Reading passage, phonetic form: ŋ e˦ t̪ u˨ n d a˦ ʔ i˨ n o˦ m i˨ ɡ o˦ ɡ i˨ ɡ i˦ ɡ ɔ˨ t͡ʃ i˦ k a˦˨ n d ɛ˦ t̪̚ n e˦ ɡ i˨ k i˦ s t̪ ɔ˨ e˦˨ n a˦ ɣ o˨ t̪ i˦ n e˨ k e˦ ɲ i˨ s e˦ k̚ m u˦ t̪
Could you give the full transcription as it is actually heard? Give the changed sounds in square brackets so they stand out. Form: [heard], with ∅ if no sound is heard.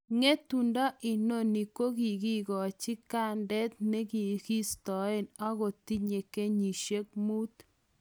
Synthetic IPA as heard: ŋ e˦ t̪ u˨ n d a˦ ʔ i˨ n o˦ [n] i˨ [k] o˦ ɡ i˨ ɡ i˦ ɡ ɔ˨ t͡ʃ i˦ k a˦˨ n d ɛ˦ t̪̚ n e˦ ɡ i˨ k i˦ s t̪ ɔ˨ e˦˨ n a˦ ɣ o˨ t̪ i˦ [ɲ] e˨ k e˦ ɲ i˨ [ʃ] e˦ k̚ m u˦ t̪